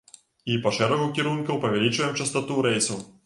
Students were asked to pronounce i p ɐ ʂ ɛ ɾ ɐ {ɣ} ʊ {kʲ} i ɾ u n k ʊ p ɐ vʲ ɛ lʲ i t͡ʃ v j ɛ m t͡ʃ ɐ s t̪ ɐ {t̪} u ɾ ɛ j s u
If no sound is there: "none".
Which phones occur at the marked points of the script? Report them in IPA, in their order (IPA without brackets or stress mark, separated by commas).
ɣ, kʲ, t̪